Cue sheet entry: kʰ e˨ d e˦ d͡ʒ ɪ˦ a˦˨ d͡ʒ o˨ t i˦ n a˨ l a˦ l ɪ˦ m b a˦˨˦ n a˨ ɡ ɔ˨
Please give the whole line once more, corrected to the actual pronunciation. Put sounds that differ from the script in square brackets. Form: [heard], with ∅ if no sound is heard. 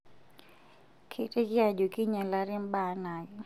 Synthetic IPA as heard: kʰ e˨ [t] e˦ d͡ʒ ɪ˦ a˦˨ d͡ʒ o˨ [k] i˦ [ɲ] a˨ l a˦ [ɾ] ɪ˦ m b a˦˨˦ n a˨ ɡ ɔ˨